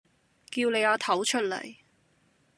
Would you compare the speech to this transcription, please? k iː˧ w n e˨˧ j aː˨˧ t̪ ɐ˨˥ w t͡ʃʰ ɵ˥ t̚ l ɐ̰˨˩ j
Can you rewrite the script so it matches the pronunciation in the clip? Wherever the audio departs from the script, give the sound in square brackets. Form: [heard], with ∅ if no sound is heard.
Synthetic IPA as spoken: k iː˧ w n e˨˧ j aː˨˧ [t̪ʰ] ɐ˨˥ w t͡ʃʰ ɵ˥ t̚ l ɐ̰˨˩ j